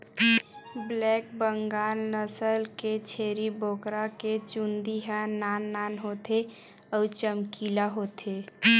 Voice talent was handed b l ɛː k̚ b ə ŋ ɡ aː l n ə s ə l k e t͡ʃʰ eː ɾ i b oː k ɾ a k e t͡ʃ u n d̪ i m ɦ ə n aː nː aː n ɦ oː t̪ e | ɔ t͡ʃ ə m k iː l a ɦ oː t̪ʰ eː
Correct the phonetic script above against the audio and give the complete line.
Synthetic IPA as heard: b l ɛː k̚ b ə ŋ ɡ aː l n ə s ə l k e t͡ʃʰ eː ɾ i b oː k ɾ a k e t͡ʃ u n d̪ i ɦ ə n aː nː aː n ɦ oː t̪ e | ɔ t͡ʃ ə m k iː l a ɦ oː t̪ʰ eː